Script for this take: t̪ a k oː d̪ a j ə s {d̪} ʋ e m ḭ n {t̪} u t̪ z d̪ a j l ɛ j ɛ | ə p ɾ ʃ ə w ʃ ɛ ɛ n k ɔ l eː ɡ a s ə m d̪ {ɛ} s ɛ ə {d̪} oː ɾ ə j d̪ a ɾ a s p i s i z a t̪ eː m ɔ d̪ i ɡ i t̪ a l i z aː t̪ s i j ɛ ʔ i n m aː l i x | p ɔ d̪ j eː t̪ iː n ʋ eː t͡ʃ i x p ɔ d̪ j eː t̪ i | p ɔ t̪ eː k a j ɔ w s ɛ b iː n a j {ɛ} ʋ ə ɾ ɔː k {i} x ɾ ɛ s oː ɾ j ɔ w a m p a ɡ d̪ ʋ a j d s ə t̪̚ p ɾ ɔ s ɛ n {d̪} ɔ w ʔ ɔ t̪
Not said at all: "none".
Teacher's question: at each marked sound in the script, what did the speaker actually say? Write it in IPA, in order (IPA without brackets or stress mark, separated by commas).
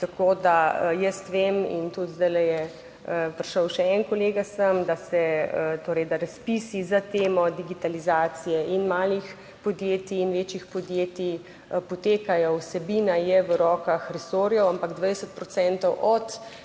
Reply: t̪, t̪, a, t̪, ɛ, a, t̪